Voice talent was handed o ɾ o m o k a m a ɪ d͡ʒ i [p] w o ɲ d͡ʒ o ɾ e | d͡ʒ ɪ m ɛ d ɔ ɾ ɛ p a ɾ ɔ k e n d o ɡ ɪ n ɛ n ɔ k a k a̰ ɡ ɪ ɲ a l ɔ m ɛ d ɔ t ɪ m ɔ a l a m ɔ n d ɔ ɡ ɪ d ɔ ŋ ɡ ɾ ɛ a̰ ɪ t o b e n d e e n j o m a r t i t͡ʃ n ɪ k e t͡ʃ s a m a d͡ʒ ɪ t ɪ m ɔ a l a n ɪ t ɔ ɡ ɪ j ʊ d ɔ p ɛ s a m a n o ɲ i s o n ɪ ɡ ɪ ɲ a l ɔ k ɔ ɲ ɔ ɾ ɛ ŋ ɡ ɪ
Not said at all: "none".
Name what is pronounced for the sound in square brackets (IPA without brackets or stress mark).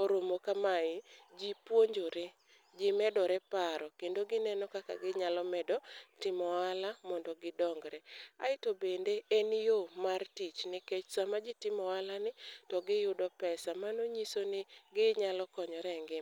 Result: p